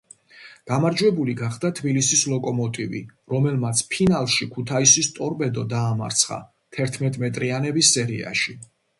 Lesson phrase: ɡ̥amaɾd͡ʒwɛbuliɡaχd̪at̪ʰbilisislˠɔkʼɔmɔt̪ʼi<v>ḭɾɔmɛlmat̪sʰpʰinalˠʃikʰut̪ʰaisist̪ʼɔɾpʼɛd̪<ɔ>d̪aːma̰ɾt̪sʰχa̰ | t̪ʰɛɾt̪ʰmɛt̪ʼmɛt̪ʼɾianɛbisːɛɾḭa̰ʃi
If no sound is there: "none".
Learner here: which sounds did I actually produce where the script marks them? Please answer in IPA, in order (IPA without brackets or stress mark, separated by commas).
v, ɔ